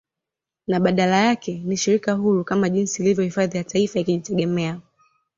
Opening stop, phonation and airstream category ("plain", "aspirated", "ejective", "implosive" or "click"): implosive